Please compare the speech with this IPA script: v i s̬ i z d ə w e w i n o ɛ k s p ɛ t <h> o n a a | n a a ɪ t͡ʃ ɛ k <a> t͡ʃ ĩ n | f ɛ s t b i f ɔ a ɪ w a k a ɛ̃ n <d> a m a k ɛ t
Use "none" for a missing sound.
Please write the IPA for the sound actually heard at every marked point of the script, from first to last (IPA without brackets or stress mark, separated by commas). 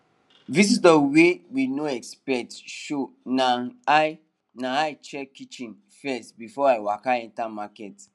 ʃ, i, t